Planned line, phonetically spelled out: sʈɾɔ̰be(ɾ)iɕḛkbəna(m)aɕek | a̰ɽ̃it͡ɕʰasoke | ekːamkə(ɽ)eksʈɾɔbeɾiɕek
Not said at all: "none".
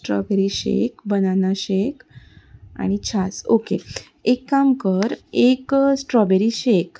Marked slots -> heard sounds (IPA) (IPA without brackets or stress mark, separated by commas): ɾ, n, ɾ